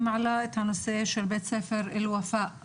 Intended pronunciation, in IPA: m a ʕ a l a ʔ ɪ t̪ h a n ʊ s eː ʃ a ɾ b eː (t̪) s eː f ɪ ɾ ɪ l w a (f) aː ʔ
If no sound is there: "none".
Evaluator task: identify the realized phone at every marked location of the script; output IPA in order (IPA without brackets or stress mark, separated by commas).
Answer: t̪, f